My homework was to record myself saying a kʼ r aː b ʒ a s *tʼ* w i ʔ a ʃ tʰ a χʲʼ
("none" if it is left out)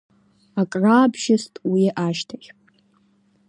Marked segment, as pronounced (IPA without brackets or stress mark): tʼ